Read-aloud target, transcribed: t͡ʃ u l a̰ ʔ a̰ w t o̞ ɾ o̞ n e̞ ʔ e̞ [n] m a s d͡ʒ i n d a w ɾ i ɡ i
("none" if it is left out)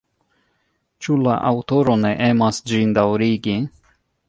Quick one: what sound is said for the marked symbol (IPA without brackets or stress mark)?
none